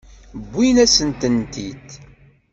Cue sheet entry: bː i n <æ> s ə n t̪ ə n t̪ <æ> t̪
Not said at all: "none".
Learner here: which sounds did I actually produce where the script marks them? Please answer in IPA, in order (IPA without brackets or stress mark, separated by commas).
æ, i